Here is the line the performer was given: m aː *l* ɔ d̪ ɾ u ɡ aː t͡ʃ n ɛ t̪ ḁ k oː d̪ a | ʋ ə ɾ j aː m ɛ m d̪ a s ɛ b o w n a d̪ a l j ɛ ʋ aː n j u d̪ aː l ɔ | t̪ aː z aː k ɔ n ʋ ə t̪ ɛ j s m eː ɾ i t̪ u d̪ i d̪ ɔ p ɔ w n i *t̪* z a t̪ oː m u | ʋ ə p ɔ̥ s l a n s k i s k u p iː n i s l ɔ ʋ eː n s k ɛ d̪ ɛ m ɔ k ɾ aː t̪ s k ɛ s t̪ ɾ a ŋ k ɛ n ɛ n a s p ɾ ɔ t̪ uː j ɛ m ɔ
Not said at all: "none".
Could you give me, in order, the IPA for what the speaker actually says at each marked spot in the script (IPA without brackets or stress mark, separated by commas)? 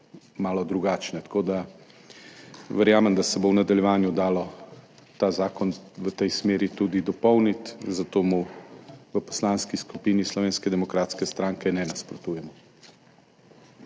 l, t̪